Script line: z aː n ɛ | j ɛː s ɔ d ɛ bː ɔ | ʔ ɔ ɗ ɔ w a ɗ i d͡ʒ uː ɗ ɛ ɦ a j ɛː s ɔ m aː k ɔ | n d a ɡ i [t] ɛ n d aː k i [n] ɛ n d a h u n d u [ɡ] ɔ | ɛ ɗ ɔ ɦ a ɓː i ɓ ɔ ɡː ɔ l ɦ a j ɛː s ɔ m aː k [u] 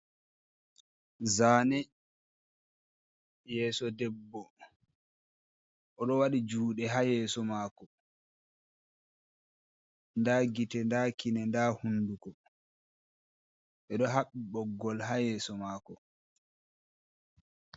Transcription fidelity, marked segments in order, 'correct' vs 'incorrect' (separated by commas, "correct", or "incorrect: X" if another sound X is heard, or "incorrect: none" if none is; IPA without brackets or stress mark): correct, correct, incorrect: k, incorrect: ɔ